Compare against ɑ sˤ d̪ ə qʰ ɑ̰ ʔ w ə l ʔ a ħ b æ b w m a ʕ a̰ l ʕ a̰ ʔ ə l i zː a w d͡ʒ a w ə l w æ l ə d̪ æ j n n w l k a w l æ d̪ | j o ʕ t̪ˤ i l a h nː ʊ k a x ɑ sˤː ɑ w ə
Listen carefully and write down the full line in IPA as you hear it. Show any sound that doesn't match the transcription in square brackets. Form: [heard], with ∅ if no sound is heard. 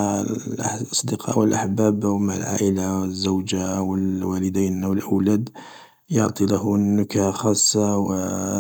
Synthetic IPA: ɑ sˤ d̪ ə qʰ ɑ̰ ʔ w ə l ʔ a ħ b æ b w m a ʕ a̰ l ʕ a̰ ʔ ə l [a] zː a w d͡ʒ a w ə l w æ l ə d̪ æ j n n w l [ʔ] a w l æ d̪ | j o ʕ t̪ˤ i l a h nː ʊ k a x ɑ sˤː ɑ w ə